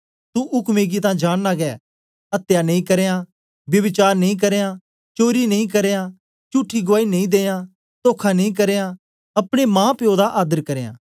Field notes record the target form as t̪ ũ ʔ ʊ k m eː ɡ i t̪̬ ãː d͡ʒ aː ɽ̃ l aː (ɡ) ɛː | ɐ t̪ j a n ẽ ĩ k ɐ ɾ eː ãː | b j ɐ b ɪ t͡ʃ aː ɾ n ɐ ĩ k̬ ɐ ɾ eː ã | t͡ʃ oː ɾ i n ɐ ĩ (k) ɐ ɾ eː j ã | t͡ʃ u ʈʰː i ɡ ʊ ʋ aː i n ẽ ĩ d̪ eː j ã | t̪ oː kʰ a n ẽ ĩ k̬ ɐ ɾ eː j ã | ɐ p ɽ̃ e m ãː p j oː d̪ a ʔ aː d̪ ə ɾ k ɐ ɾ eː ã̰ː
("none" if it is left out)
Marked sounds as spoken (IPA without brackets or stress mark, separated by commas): ɡ, k